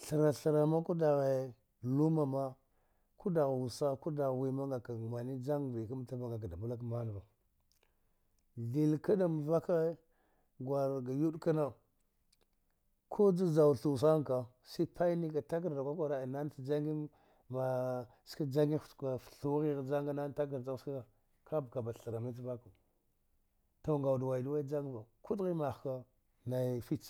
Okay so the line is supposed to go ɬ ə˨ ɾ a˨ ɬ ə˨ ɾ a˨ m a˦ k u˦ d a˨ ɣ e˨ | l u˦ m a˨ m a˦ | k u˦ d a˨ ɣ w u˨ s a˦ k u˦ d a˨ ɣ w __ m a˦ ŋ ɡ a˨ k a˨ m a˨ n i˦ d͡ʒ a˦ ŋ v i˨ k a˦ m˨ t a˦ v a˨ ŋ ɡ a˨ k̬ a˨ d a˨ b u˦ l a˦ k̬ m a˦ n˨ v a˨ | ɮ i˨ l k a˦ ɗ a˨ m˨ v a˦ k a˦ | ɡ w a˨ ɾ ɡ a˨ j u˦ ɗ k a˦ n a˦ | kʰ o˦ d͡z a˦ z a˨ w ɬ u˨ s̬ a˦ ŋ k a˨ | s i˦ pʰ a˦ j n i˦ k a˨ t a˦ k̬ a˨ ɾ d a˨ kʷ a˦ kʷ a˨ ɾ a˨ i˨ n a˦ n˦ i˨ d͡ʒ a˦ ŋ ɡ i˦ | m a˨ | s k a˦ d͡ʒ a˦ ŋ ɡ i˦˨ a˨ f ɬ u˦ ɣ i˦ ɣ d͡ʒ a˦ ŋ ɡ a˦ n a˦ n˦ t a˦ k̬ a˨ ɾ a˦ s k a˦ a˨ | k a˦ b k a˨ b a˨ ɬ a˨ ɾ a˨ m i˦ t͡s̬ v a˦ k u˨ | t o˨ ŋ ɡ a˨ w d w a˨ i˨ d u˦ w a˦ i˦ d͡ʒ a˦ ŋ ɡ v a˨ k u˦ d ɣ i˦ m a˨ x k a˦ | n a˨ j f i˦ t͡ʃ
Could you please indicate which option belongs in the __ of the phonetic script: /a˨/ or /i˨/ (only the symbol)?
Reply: i˨